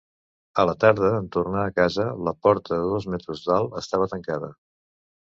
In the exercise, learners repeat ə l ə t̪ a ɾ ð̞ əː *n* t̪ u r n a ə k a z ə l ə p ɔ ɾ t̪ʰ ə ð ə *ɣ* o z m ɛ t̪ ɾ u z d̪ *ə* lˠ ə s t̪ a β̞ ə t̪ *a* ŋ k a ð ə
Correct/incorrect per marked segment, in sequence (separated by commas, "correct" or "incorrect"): correct, incorrect, incorrect, incorrect